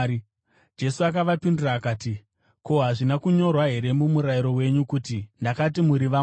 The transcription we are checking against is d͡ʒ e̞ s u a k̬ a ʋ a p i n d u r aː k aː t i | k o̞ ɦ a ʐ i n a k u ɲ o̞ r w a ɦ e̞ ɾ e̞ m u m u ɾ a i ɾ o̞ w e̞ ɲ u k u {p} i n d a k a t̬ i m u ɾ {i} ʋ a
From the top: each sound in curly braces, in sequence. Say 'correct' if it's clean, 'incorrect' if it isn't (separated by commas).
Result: incorrect, correct